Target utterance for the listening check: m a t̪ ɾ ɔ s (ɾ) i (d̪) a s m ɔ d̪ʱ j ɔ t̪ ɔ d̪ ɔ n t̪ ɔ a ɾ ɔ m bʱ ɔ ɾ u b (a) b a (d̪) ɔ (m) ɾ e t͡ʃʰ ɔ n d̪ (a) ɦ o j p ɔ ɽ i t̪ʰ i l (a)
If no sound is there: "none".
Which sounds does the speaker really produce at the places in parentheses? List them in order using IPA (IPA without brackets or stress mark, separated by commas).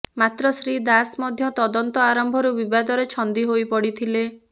ɾ, d̪, i, d̪, none, i, e